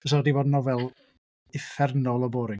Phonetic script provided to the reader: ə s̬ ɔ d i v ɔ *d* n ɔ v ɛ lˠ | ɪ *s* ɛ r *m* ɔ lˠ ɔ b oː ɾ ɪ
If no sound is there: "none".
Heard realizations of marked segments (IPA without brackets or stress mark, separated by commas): d, f, n